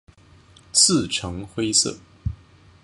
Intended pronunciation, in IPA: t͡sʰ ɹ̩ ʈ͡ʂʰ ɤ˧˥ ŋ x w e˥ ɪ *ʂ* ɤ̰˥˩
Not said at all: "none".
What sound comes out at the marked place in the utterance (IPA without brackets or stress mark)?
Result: s